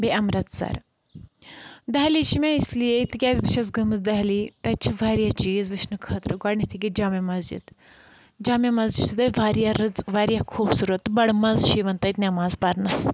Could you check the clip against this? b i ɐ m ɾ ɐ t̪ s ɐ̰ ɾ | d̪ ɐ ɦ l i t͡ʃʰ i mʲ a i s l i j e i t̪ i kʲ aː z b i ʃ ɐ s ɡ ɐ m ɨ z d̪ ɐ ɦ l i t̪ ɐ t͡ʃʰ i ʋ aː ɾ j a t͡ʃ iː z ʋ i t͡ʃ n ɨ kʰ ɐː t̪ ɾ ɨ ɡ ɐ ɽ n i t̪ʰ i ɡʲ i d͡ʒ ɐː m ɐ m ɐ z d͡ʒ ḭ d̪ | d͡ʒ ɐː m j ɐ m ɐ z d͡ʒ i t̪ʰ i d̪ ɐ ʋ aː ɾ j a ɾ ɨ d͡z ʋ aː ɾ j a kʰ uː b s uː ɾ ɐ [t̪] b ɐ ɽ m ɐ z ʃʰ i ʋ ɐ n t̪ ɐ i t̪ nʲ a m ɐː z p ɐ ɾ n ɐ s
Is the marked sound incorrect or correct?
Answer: correct